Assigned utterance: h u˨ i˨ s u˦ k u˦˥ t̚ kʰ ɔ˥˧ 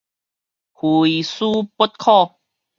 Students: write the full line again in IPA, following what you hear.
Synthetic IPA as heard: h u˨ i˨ s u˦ p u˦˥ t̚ kʰ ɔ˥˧